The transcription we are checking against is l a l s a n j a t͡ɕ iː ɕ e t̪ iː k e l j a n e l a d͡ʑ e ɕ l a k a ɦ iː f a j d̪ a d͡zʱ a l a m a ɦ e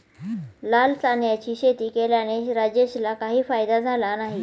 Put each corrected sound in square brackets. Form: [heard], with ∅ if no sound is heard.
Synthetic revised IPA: l a l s a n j a t͡ɕ iː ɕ e t̪ iː k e l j a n e [ɾ] a d͡ʑ e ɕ l a k a ɦ iː f a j d̪ a d͡zʱ a l a [n] a ɦ [i]